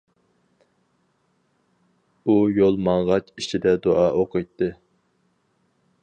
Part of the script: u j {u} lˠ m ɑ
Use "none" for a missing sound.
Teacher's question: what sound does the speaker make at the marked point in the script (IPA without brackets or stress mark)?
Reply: o